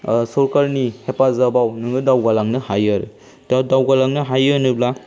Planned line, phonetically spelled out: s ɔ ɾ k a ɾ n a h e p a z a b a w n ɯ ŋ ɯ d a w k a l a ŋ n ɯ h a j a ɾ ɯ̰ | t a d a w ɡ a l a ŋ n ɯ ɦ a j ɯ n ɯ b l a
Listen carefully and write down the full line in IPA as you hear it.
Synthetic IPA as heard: s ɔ ɾ k a ɾ n i h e p a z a b a w n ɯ ŋ ɯ d a w ɡ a l a ŋ n ɯ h a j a ɾ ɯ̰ | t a d a w ɡ a l a ŋ n ɯ ɦ a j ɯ n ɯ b l a